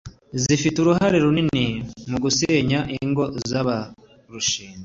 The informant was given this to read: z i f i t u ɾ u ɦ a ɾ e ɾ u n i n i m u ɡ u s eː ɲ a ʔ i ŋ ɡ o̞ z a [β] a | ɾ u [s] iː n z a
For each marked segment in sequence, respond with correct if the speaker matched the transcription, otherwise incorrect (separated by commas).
correct, incorrect